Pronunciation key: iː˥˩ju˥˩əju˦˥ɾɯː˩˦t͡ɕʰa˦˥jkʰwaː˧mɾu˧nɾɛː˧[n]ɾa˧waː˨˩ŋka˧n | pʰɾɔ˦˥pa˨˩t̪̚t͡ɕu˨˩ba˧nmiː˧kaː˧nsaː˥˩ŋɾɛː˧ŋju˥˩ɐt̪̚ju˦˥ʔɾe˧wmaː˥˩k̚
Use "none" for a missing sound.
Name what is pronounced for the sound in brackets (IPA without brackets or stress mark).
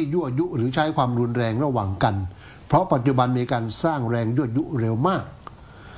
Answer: ŋ